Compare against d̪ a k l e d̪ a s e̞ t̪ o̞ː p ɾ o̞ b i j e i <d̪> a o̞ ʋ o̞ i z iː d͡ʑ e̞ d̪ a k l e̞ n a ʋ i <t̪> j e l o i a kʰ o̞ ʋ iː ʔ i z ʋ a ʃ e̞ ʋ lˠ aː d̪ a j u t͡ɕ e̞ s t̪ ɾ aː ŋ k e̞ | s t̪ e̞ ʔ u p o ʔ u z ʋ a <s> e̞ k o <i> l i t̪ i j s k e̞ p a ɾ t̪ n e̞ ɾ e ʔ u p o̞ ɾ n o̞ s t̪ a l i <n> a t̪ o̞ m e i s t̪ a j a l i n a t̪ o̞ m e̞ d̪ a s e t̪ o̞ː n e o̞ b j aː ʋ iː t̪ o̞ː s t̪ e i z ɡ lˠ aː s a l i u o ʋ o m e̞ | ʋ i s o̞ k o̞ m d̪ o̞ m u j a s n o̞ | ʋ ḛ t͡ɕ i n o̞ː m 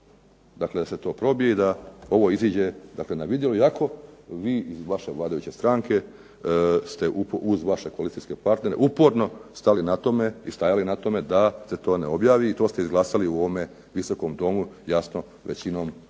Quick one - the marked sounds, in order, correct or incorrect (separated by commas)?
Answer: correct, incorrect, incorrect, incorrect, correct